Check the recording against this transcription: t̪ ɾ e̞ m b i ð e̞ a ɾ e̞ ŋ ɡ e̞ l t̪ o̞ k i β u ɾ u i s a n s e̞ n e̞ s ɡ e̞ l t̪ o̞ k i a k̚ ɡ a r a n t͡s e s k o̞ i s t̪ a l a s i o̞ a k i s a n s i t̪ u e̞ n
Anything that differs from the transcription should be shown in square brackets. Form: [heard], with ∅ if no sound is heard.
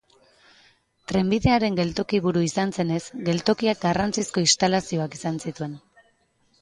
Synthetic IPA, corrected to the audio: t̪ ɾ e̞ m b i ð e̞ a ɾ e̞ ŋ ɡ e̞ l t̪ o̞ k i β u ɾ u i s a n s e̞ n e̞ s ɡ e̞ l t̪ o̞ k i a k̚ ɡ a r a n t͡s [i] s k o̞ i s t̪ a l a s i o̞ a k i s a n s i t̪ u e̞ n